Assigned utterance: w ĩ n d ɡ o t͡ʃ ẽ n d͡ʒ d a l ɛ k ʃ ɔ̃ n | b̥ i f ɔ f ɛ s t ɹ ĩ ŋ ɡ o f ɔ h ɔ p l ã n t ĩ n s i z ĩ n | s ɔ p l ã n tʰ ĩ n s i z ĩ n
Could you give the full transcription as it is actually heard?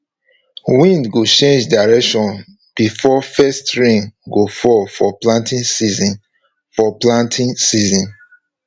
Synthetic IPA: w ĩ n d ɡ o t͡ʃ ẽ n d͡ʒ d a ɹ ɛ k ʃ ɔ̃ n | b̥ i f ɔ f ɛ s t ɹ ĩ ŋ ɡ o f ɔ f ɔ p l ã n t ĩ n s i z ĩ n | f ɔ p l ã n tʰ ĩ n s i z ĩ n